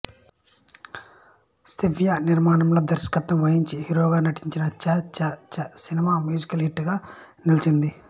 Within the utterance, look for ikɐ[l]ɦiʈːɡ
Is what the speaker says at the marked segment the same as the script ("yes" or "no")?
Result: yes